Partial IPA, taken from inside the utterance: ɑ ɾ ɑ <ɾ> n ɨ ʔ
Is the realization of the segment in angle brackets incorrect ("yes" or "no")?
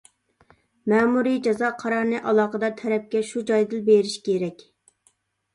no